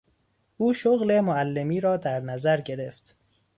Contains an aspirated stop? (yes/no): no